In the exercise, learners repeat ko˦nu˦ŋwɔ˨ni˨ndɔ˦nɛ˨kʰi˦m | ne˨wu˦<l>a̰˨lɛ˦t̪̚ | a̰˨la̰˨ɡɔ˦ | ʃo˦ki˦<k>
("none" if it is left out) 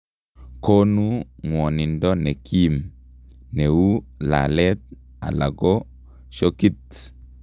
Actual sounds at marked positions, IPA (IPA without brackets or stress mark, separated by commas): l, t